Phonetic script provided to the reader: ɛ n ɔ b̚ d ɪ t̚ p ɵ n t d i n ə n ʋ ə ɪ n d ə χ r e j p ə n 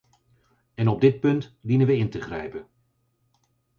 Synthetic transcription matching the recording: ɛ n ɔ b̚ d ɪ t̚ p ɵ n t d i n ə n ʋ ə ɪ n t ə χ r ɛ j p ə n